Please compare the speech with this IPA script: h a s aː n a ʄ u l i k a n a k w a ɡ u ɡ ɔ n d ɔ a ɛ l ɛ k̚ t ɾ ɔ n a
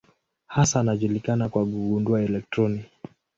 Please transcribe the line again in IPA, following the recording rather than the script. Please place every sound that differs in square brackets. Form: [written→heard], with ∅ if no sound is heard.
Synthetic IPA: h a s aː n a ʄ u l i k a n a k w a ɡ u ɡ [ɔ→u] n d [ɔ→u] a ɛ l ɛ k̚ t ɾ ɔ n [a→i]